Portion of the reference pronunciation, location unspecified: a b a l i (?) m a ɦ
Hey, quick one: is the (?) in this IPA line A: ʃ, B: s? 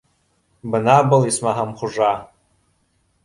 B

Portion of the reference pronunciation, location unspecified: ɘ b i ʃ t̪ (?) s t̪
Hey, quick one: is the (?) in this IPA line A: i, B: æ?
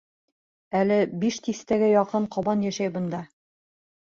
A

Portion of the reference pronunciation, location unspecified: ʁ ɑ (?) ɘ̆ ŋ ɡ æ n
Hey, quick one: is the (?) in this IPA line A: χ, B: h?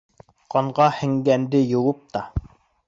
B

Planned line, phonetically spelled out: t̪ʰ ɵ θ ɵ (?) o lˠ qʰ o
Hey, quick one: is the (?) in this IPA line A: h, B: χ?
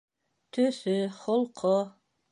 B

